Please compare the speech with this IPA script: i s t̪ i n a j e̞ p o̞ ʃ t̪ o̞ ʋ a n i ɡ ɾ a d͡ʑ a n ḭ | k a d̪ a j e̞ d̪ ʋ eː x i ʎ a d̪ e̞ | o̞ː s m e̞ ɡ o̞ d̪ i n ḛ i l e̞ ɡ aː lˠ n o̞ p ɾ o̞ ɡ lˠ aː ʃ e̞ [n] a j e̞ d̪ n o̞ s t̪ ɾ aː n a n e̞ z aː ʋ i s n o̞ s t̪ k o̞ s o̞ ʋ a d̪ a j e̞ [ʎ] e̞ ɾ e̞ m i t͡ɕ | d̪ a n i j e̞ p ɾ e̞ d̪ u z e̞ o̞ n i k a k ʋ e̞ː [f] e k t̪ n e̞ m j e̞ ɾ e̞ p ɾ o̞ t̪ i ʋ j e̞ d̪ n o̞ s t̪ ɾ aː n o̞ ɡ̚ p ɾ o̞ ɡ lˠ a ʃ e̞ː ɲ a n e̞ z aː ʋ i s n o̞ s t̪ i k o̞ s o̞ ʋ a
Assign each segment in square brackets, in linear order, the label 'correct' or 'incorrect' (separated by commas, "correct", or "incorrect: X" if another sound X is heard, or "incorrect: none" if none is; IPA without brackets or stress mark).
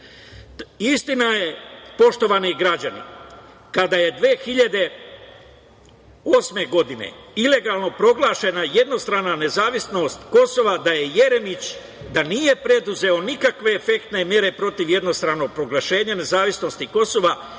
correct, incorrect: j, correct